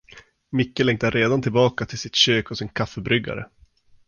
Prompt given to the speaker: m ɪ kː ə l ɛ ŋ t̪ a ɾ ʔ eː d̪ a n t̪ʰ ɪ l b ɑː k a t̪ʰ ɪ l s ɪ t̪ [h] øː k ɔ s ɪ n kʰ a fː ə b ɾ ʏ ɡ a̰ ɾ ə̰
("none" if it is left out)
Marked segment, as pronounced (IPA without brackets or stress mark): ɕ